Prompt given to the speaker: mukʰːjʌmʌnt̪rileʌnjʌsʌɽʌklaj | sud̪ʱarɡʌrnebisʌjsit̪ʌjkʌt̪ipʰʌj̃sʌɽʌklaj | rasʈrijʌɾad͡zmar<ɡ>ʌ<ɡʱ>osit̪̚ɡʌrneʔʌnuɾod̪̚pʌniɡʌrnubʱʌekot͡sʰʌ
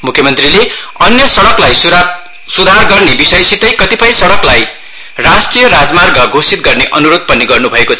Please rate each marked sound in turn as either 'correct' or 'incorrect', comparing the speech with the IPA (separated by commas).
correct, correct